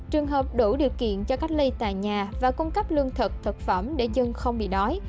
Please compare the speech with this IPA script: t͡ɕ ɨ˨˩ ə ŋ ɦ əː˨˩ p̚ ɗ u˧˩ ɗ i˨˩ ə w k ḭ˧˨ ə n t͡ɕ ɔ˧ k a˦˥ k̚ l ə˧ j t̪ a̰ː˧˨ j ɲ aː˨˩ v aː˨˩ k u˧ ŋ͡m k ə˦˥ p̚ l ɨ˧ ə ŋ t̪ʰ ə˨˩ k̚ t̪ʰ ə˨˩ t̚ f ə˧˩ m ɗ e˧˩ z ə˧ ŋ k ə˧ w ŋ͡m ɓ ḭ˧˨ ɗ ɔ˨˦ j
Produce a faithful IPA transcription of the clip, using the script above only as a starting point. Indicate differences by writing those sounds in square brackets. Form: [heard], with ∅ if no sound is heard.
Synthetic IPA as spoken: t͡ɕ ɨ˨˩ ə ŋ ɦ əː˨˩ p̚ ɗ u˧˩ ɗ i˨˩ ə w k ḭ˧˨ ə n t͡ɕ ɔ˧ k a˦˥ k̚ l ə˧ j t̪ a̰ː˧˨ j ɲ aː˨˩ v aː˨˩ k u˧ ŋ͡m k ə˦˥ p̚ l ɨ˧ ə ŋ t̪ʰ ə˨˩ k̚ t̪ʰ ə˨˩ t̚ f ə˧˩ m ɗ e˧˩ z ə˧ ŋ [x] ə˧ w ŋ͡m ɓ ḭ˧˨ ɗ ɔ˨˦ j